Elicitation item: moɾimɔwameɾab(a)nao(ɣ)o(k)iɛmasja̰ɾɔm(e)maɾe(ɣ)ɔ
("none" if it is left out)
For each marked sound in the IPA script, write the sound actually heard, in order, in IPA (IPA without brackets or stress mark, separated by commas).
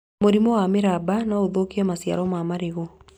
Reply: a, ð, k, a, ɣ